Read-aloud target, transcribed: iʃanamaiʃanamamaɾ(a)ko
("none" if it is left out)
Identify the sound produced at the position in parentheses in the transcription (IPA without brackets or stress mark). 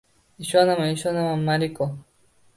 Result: i